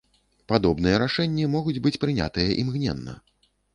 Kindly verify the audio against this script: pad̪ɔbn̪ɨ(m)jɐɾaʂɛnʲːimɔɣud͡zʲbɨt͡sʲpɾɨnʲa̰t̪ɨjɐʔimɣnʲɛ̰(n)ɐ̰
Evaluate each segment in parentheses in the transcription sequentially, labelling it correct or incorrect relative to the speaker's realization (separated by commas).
incorrect, incorrect